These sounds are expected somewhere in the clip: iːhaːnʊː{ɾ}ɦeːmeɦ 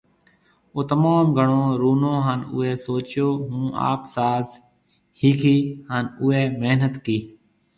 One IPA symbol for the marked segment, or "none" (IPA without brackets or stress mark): none